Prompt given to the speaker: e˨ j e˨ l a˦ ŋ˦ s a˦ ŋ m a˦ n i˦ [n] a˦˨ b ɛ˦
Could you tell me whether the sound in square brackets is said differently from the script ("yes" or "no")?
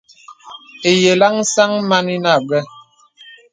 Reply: no